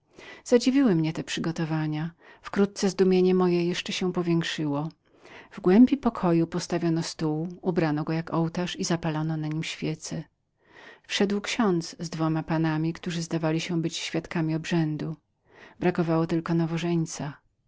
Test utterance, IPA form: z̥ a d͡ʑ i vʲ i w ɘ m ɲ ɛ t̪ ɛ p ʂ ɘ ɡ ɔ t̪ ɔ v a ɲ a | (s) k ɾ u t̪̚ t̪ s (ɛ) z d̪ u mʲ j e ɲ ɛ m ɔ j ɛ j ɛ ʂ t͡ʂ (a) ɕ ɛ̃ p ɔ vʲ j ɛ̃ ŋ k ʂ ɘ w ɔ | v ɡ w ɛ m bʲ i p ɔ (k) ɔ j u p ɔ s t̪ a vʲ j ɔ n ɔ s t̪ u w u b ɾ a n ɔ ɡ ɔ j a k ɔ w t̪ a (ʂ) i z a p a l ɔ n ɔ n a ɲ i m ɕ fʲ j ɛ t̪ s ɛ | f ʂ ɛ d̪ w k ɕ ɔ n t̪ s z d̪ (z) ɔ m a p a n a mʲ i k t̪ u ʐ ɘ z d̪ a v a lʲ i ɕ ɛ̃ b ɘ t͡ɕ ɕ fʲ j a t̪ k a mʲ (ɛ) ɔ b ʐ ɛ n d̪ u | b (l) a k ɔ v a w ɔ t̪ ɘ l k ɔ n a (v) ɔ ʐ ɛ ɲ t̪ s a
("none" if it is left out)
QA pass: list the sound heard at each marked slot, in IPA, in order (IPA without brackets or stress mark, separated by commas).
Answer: f, ɛ, ɛ, kʰ, ʂ, v, i, ɾ, v